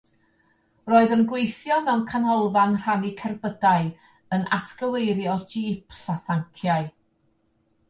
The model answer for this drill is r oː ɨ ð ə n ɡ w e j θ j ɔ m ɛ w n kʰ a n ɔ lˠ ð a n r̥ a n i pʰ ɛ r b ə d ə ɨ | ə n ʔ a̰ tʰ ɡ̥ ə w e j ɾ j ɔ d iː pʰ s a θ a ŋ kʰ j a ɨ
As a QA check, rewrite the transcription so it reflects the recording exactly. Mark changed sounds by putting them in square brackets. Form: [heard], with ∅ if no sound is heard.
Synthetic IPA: r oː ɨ ð ə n ɡ w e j θ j ɔ m ɛ w n kʰ a n ɔ lˠ [v] a n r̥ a n i [kʰ] ɛ r b ə d [a] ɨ | ə n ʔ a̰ tʰ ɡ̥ ə w e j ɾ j ɔ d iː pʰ s a θ a ŋ kʰ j a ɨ